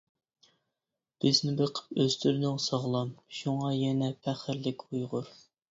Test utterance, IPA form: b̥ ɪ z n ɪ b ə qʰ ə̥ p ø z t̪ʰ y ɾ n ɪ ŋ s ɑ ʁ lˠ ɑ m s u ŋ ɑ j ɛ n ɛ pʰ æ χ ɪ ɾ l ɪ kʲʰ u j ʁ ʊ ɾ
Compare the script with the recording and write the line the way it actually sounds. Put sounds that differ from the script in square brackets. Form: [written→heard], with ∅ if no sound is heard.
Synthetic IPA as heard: b̥ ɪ z n ɪ b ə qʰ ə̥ p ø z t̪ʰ y ɾ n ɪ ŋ s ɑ ʁ lˠ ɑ m [s→ʃ] u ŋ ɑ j ɛ n ɛ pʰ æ χ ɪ ɾ l ɪ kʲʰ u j ʁ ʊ ɾ

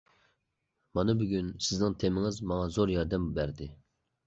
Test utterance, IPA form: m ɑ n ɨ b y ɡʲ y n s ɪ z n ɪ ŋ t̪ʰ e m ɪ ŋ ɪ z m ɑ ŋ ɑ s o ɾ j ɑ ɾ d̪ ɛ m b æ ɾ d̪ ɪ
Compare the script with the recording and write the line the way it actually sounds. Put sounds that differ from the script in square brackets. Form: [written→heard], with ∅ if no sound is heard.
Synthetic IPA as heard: m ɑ n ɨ b y ɡʲ y n s ɪ z n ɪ ŋ t̪ʰ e m ɪ ŋ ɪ z m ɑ ŋ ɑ [s→z] o ɾ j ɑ ɾ d̪ ɛ m b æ ɾ d̪ ɪ

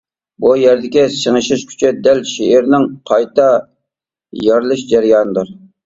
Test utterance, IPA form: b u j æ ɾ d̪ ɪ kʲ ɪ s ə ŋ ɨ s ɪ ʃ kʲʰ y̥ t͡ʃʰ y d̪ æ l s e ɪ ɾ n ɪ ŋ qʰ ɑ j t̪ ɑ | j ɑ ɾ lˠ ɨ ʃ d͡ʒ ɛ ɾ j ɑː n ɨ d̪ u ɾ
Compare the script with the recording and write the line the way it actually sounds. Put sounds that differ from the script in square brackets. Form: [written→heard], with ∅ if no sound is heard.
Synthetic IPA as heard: b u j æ ɾ d̪ ɪ kʲ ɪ s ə ŋ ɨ [s→ʃ] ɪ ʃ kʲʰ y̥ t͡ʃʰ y d̪ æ l [s→ʃ] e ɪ ɾ n ɪ ŋ qʰ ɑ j t̪ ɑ | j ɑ ɾ lˠ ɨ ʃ d͡ʒ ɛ ɾ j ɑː n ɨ d̪ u ɾ

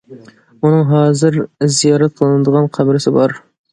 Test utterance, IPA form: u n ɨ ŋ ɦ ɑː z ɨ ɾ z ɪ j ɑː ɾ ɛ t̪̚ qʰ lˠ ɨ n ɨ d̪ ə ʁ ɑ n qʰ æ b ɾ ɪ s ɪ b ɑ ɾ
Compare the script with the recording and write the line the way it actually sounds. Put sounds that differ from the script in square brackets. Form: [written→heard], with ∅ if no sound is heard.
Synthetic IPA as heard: u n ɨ ŋ ɦ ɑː z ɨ ɾ z [ɪ→i] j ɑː ɾ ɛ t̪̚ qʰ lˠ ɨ n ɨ d̪ ə ʁ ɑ n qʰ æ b ɾ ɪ s ɪ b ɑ ɾ

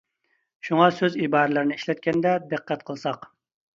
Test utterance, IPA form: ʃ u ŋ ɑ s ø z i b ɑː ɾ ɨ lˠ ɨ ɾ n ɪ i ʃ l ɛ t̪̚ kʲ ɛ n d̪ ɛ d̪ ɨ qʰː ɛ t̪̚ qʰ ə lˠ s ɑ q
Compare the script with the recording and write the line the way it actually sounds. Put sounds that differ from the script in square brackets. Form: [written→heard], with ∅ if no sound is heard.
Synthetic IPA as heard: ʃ u ŋ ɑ s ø z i b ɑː ɾ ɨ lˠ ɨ ɾ n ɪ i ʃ l ɛ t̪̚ kʲ ɛ n d̪ ɛ d̪ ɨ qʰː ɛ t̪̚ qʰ ə lˠ s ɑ q

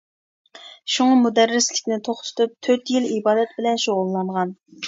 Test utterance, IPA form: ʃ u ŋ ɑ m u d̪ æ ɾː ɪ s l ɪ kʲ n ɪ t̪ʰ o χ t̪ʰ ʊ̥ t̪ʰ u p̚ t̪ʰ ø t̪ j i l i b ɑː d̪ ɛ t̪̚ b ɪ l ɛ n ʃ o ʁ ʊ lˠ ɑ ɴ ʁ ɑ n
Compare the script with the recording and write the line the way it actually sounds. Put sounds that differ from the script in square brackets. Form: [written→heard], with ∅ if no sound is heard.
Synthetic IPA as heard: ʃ u ŋ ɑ m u d̪ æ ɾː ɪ s l ɪ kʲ n ɪ t̪ʰ o χ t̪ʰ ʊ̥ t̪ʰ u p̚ t̪ʰ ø t̪ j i l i b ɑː d̪ ɛ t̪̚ b ɪ l ɛ n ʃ o ʁ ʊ [lˠ→lˠː] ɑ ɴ ʁ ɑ n

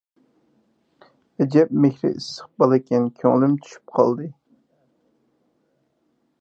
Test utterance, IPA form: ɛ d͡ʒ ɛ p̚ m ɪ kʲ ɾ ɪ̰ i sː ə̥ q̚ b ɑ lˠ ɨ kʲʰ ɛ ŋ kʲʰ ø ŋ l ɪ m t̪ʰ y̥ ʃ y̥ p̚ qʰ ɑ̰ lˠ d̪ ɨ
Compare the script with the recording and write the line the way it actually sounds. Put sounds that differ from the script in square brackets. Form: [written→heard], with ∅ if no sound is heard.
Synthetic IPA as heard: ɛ d͡ʒ ɛ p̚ m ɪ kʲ ɾ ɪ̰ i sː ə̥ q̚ b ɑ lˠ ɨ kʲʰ ɛ [ŋ→n] kʲʰ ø ŋ l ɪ m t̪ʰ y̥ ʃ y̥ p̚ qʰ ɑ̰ lˠ d̪ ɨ

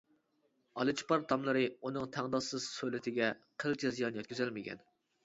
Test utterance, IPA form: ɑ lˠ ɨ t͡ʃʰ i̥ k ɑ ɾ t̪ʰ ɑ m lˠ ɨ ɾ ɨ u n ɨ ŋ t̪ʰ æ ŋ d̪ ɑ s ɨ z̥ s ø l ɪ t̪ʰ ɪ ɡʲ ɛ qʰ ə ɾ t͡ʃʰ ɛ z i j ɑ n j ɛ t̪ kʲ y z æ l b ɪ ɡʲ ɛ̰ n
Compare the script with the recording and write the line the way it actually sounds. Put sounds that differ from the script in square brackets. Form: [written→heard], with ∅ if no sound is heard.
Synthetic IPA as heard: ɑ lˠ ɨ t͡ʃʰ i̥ [k→p] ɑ ɾ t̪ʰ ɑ m lˠ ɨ ɾ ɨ u n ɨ ŋ t̪ʰ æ ŋ d̪ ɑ s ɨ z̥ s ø l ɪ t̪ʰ ɪ ɡʲ ɛ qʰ ə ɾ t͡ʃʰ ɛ z i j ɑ n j ɛ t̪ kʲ y z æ l [b→m] ɪ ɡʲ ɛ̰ n

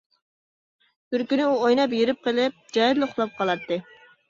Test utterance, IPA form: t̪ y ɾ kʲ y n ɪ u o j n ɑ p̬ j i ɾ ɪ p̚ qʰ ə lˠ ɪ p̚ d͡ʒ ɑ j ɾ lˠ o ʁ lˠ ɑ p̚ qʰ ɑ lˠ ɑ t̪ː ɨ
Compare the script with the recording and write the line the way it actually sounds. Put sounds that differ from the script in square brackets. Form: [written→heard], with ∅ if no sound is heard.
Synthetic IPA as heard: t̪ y ɾ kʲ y n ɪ u o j n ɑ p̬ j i ɾ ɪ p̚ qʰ ə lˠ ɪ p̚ d͡ʒ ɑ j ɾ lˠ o [ʁ→χ] lˠ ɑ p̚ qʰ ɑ lˠ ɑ t̪ː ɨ

